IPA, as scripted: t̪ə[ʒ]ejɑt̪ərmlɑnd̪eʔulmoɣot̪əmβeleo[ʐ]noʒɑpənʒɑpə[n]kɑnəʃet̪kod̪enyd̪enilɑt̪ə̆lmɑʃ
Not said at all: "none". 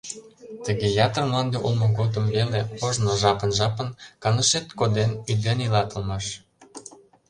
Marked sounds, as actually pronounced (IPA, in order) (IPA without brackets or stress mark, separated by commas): ɣ, ʒ, n